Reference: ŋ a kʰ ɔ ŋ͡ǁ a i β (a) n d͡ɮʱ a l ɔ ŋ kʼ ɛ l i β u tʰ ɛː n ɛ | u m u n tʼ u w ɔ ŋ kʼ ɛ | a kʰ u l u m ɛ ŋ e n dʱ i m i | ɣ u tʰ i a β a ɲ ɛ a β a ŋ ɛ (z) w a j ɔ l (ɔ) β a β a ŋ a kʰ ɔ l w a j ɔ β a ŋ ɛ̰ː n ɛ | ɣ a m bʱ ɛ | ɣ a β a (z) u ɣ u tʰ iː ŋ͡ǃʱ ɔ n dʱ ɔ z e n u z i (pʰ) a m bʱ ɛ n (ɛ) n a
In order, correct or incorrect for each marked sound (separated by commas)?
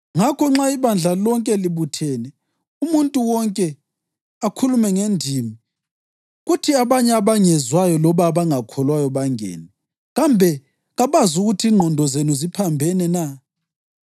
correct, correct, correct, correct, correct, correct